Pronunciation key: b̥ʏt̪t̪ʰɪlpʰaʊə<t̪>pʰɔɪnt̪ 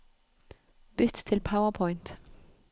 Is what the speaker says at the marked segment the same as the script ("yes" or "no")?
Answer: no